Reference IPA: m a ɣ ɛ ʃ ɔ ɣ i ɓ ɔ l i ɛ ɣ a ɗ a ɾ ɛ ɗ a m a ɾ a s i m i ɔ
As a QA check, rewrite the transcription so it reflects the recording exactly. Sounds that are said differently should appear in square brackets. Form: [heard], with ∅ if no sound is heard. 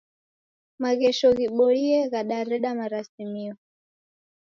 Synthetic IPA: m a ɣ ɛ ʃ ɔ ɣ i ɓ ɔ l i ɛ ɣ a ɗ a ɾ ɛ ɗ a m a ɾ a s i m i ɔ